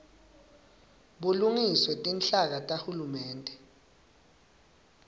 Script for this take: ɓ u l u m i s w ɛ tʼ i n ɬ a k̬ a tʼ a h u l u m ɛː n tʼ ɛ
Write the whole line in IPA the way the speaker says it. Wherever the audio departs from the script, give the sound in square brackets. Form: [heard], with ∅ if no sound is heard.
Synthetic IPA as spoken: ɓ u l u [ŋ] i s w ɛ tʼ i n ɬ a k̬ a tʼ a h u l u m ɛː n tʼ ɛ